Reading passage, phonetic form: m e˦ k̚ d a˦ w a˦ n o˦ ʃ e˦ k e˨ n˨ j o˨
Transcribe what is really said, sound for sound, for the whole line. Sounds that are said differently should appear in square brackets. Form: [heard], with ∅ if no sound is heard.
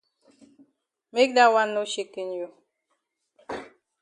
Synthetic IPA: m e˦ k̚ d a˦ w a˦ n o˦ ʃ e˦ k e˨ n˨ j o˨